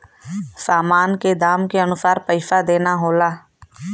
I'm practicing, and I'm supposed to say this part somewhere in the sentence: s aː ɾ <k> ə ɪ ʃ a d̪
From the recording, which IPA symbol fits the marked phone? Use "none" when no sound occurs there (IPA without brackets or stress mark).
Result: p